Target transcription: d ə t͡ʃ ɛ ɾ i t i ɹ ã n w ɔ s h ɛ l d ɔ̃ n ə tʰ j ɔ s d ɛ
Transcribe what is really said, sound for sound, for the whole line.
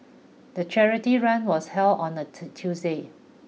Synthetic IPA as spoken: d ə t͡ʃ ɛ ɹ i t i ɹ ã n w ɔ s h ɛ l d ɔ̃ n ə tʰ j u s d e

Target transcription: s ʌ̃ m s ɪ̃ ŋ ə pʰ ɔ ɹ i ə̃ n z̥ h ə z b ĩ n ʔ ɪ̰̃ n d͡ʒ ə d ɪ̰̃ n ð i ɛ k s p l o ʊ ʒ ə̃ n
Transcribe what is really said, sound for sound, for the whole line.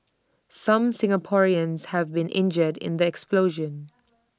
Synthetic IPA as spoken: s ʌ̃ m s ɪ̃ ŋ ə pʰ ɔ ɹ i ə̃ n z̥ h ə v b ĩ n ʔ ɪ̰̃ n d͡ʒ ə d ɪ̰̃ n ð i ɛ k s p l o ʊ ʒ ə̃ n

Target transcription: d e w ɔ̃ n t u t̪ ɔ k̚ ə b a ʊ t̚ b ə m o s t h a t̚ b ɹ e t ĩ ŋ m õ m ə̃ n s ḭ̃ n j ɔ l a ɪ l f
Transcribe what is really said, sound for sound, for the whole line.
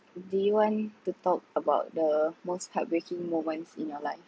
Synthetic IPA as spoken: d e w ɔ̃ n t u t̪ ɔ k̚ ə b a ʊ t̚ d ə m o s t h a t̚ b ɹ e k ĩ ŋ m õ m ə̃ n s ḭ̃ n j ɔ l a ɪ f

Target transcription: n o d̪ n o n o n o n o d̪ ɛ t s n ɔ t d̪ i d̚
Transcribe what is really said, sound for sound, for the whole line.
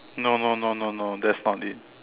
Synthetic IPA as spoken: n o n o n o n o n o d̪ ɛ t s n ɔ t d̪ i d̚

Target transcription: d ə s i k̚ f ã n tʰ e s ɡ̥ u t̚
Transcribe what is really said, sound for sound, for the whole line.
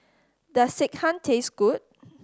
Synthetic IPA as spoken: d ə s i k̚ h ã n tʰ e s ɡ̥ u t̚

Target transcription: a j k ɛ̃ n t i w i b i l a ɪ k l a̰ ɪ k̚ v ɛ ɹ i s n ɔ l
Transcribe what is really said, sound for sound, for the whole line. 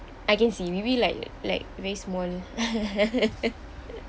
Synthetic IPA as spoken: a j k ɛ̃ n s i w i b i l a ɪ k l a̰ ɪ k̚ v ɛ ɹ i s m ɔ l

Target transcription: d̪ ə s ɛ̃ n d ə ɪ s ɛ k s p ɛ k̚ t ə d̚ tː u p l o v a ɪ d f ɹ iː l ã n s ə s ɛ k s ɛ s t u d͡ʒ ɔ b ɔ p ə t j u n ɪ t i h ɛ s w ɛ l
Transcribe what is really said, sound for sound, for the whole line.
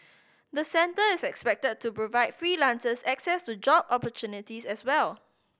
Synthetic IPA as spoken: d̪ ə s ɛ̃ n t ə ɪ s ɛ k s p ɛ k̚ t ə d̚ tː u p ɹ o v a ɪ d f ɹ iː l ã n s ə s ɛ k s ɛ s t u d͡ʒ ɔ b ɔ p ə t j u n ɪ t i s ɛ s w ɛ l

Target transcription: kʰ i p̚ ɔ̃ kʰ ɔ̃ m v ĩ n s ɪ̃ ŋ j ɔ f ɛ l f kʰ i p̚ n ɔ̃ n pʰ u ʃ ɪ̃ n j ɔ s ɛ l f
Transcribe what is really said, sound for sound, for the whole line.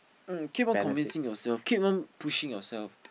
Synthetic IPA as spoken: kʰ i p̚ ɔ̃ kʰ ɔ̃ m v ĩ n s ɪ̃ ŋ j ɔ s ɛ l f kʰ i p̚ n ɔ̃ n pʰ u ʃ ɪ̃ ŋ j ɔ s ɛ l f

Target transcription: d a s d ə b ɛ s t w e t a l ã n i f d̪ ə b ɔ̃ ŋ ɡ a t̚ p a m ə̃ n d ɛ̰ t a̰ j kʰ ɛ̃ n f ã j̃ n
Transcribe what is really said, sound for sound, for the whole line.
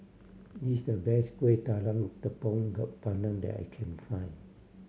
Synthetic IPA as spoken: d i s d ə b ɛ s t w e t a l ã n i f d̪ ə p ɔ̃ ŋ ɡ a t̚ p a n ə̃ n d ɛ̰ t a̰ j kʰ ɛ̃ n f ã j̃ n

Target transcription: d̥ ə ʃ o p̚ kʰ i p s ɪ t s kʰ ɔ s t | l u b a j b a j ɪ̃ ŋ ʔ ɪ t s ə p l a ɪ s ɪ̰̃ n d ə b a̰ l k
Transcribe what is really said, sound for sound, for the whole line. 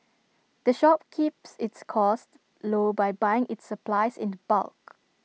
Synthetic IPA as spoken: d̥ ə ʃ ɔ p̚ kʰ i p s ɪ t s kʰ ɔ s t | l o b a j b a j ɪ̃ ŋ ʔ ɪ t s ə p l a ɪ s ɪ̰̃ n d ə b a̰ l k

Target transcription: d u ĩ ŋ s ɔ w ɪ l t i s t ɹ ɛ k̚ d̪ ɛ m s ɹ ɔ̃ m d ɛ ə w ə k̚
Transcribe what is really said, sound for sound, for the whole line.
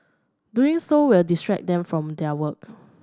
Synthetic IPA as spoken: d u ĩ ŋ s o w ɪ l d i s t ɹ ɛ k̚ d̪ ɛ̃ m f ɹ ɔ̃ m d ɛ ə w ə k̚

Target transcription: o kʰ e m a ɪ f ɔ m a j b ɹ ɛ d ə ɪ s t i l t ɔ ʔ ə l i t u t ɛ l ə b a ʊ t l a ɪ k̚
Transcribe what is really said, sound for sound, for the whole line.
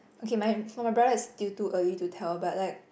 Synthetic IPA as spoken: o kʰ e m a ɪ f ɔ m a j b ɹ a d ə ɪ s t i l t u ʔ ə l i t u tʰ ɛ l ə b a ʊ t l a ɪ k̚

